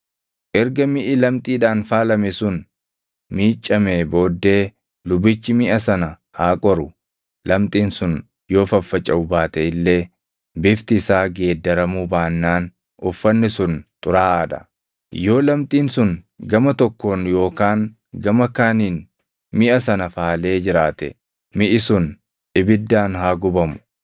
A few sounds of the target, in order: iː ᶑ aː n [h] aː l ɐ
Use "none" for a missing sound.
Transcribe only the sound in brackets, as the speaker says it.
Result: f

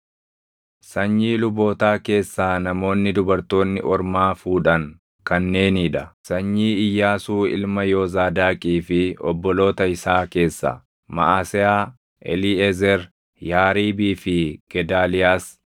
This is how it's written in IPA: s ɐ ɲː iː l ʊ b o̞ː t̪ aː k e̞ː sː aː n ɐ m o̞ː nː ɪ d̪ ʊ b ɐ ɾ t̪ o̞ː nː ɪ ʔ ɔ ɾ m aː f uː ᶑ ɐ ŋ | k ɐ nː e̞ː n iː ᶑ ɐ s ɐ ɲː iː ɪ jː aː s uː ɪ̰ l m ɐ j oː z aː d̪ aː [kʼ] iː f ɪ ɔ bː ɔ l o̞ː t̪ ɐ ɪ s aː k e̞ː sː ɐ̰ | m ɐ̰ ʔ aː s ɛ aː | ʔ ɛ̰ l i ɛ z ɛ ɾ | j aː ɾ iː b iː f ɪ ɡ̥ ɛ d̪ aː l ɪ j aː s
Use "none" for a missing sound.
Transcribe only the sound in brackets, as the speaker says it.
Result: kʼ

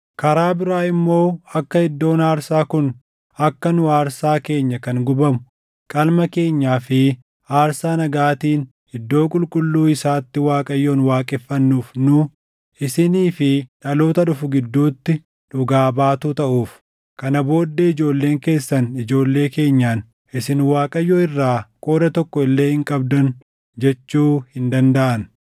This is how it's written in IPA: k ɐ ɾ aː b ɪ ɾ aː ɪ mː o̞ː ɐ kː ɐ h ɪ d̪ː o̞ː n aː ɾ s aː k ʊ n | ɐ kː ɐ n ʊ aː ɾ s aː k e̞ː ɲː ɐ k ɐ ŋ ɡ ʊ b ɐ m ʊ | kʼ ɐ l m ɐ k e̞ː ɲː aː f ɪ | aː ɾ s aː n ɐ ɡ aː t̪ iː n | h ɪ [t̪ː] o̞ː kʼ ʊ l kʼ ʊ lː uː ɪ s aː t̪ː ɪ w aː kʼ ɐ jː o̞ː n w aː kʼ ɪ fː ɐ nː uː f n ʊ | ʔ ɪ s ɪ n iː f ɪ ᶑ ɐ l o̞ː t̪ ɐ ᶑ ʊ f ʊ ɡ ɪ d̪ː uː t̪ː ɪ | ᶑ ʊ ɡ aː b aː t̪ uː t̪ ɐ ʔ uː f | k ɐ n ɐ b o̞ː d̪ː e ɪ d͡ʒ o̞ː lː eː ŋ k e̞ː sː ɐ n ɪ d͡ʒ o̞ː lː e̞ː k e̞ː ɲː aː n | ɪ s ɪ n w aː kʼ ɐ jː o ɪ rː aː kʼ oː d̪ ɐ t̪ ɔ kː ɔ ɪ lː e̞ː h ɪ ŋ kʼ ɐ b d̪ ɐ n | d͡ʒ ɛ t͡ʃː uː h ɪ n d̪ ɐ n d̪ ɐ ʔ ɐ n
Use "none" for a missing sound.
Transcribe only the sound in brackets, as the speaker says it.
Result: d̪ː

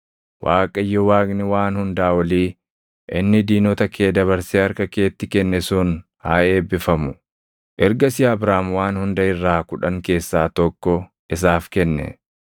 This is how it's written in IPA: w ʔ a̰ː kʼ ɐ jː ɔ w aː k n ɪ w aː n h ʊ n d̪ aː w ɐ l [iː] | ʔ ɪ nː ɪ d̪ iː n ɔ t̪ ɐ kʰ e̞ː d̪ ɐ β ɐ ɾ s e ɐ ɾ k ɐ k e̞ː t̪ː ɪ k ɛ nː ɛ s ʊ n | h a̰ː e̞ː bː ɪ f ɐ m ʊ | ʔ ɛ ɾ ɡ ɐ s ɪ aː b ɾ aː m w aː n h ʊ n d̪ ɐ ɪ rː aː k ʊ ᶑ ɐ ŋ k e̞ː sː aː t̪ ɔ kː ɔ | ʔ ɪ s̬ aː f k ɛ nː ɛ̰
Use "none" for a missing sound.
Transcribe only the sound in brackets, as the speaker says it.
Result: iː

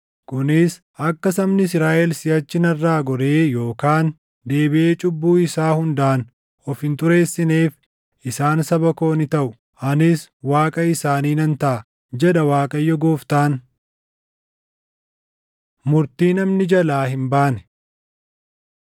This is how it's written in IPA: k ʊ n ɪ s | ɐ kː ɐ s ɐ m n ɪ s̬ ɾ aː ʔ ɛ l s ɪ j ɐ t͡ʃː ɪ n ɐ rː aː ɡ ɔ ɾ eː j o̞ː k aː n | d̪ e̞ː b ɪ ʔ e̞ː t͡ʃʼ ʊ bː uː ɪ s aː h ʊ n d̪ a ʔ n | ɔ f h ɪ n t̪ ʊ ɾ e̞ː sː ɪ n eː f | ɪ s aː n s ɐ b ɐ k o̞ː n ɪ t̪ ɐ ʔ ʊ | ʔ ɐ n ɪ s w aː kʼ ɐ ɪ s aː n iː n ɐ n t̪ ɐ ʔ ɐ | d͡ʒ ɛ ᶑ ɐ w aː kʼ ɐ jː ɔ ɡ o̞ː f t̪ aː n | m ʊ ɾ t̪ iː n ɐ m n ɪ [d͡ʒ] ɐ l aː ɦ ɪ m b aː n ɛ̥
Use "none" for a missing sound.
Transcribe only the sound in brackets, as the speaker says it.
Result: d͡ʒ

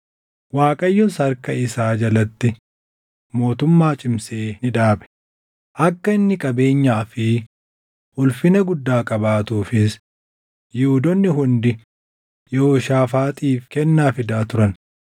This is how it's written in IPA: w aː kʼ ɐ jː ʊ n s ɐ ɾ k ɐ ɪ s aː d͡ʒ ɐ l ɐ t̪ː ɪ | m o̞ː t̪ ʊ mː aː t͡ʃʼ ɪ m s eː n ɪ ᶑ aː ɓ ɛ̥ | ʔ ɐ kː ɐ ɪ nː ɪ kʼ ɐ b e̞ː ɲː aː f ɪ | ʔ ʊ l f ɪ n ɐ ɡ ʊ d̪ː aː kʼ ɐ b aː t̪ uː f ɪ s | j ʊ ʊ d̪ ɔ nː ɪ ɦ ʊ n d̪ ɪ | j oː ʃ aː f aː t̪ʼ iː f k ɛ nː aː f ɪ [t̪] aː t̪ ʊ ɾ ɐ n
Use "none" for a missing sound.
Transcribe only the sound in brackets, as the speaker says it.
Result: d̪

